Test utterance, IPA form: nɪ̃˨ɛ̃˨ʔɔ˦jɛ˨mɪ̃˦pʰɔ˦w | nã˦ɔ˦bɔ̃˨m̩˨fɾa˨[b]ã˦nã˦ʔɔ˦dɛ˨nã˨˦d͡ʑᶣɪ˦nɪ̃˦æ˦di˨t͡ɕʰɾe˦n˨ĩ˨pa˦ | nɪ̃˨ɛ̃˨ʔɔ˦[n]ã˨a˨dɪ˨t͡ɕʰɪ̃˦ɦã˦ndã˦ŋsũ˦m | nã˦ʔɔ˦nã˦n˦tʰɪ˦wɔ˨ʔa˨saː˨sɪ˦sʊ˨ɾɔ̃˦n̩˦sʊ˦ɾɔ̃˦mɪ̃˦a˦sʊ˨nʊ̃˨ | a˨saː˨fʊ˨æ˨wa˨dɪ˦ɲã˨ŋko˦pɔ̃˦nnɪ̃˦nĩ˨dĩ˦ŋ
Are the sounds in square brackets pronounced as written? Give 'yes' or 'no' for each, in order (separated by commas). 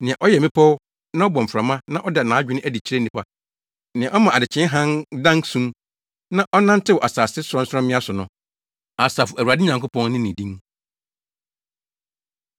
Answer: no, no